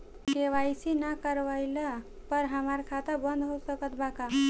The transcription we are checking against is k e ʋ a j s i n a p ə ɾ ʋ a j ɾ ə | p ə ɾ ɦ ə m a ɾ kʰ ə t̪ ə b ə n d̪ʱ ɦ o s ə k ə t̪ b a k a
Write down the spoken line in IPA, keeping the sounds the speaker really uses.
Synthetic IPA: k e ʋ a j s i n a k ə ɾ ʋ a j l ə | p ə ɾ ɦ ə m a ɾ kʰ a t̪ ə b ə n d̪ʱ ɦ o s ə k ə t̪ b a k a